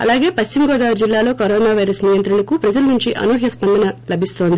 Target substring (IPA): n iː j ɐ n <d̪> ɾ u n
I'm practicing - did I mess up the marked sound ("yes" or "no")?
yes